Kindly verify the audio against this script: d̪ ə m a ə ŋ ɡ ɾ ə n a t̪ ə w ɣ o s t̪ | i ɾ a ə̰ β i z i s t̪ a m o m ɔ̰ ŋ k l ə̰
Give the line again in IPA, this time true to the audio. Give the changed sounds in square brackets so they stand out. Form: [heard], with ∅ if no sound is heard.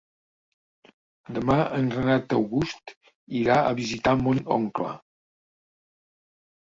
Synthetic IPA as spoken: d̪ ə m a ə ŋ ɡ ɾ ə n a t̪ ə w ɣ [u] s t̪ | i ɾ a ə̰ β i z i [∅] t̪ a m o [n] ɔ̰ ŋ k l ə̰